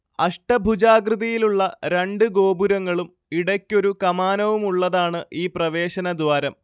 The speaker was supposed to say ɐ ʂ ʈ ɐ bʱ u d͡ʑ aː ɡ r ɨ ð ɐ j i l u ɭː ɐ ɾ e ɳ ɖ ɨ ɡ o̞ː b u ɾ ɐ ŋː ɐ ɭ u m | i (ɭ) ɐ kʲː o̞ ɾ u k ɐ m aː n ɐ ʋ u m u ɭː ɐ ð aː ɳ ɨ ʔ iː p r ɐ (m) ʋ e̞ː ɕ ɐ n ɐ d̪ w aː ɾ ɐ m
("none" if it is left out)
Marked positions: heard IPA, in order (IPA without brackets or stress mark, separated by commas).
ɽ, none